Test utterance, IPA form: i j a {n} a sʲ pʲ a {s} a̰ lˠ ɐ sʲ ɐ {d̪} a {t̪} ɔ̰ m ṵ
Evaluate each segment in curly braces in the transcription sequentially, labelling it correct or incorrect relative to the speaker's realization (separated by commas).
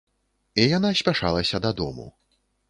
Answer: correct, incorrect, correct, incorrect